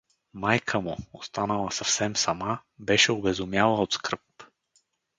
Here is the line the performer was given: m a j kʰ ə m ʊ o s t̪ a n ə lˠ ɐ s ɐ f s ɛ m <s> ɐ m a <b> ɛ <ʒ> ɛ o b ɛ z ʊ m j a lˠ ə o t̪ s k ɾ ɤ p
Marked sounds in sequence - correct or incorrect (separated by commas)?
correct, correct, incorrect